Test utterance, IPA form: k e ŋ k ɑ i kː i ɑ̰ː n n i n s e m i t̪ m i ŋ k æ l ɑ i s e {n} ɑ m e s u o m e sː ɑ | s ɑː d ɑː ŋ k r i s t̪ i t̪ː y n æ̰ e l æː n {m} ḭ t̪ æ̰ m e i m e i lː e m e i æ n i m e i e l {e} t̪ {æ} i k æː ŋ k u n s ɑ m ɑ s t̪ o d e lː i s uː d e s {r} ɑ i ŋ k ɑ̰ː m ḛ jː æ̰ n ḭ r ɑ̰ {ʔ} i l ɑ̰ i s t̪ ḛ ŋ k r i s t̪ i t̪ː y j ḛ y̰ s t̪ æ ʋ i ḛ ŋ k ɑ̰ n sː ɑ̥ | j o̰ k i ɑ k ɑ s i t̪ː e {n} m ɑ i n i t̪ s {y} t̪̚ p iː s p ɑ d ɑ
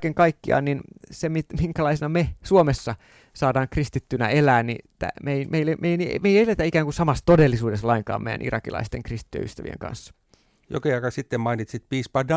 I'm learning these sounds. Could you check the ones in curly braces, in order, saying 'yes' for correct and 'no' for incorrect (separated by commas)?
yes, no, yes, yes, no, no, no, no